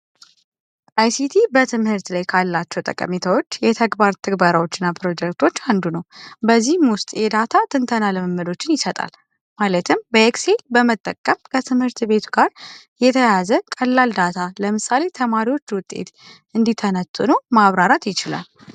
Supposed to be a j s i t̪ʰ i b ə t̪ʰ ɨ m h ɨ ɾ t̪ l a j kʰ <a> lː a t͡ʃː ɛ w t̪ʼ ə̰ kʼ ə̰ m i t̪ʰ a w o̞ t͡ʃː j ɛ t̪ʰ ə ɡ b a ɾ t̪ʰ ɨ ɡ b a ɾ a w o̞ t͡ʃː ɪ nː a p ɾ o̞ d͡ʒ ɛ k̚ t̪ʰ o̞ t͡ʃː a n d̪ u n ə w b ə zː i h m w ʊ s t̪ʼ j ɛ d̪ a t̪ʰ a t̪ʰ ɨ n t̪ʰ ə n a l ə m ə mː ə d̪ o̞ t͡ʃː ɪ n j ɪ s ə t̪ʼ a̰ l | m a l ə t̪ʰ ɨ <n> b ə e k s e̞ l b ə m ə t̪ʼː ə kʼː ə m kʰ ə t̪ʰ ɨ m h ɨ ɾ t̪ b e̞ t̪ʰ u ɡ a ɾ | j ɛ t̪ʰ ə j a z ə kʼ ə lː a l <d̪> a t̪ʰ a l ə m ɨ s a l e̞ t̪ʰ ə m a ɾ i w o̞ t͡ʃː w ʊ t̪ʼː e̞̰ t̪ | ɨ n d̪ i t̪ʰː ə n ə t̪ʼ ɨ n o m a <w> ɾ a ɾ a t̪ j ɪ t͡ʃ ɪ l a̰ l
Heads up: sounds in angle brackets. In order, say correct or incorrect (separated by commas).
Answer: correct, incorrect, correct, incorrect